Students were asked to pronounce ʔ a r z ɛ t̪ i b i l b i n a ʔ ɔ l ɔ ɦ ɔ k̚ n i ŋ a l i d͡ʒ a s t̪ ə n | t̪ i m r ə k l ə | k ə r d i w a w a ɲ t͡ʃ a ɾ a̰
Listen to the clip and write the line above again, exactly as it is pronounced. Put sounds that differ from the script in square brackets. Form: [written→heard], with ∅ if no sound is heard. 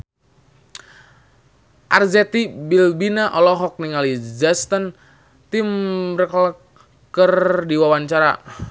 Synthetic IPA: ʔ a r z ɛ t̪ i b i l b i n a ʔ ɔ l ɔ ɦ ɔ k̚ n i ŋ a l i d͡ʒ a s t̪ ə n | t̪ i m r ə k l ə | k ə r d i w a w a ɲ t͡ʃ a ɾ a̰